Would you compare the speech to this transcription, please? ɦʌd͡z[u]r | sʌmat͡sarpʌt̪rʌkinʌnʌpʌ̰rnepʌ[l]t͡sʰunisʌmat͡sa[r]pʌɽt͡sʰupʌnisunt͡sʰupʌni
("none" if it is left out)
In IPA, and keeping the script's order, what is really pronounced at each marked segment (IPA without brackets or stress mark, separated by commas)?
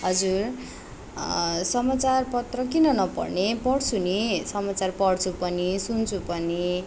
u, ɽ, r